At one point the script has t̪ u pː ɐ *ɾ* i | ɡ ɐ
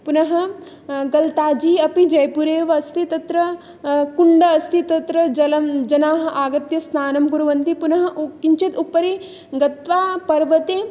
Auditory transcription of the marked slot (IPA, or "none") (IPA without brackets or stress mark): ɾ